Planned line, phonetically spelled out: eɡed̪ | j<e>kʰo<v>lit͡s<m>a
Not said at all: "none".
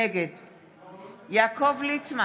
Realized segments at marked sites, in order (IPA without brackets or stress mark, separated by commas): a, v, m